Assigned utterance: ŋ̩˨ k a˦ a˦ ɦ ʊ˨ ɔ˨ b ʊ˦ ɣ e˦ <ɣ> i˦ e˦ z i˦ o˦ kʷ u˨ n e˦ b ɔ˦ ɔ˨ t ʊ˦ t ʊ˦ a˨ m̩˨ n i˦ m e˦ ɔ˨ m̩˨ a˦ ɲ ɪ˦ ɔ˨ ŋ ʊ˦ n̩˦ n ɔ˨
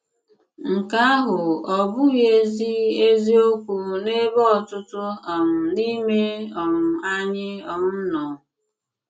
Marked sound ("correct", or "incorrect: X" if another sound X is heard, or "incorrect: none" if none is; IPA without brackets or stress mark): incorrect: z